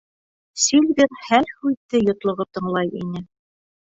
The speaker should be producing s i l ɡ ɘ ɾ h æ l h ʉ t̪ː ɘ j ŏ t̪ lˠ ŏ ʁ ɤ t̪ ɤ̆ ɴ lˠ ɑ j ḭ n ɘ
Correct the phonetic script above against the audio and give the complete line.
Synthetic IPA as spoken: s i l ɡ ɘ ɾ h æ l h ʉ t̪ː ɘ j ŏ t̪ lˠ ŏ ʁ ɤ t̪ ɤ̆ ɴ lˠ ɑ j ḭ n ɘ